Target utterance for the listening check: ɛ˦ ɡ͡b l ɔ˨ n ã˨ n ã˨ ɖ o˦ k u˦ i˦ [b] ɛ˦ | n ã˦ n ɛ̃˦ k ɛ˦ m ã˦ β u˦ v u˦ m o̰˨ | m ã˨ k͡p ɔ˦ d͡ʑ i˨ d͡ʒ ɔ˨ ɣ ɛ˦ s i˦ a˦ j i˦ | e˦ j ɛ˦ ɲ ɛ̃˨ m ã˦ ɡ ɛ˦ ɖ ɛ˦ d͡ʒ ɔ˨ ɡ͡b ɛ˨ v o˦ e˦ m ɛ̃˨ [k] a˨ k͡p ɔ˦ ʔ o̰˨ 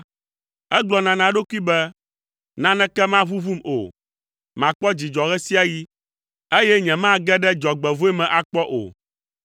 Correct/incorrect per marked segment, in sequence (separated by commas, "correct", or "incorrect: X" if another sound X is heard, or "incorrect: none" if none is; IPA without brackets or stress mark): correct, incorrect: ʔ